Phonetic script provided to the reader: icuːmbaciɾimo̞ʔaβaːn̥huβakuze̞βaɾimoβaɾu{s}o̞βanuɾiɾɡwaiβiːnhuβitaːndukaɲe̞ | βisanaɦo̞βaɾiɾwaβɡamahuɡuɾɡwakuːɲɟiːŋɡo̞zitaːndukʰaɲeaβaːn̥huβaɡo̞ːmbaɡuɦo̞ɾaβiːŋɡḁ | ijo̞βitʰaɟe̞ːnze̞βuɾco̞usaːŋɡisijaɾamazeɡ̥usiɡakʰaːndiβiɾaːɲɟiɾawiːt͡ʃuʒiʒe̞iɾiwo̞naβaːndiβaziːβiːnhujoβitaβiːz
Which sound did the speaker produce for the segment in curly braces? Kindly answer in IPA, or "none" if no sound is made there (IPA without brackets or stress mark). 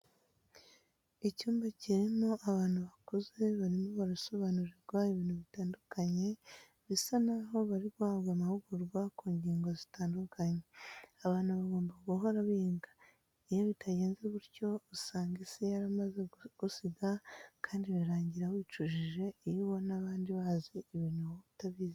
s